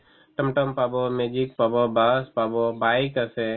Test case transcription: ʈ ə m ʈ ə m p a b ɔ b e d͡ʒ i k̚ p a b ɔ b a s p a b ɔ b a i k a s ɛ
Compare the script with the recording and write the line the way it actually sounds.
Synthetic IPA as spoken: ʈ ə m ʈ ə m p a b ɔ m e d͡ʒ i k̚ p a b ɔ b a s p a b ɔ b a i k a s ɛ